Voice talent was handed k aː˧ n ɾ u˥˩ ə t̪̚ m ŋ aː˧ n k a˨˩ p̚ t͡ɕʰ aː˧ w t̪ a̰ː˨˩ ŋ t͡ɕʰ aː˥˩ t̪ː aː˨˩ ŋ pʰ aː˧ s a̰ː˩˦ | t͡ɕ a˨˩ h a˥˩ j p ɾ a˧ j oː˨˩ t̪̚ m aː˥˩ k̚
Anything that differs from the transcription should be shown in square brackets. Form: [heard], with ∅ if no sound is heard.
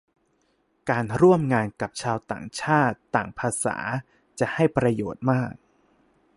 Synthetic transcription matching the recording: k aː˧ n ɾ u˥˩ ə [∅] m ŋ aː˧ n k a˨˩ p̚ t͡ɕʰ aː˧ w t̪ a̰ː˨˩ ŋ t͡ɕʰ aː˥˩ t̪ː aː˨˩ ŋ pʰ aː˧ s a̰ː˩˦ | t͡ɕ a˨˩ h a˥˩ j p ɾ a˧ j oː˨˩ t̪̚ m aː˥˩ k̚